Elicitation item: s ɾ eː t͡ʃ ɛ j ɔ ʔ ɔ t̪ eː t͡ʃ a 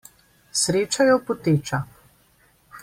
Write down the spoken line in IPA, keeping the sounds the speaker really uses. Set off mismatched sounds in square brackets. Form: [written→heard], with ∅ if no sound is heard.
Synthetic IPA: s ɾ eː t͡ʃ [ɛ→a] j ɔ [ʔ→p] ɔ t̪ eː t͡ʃ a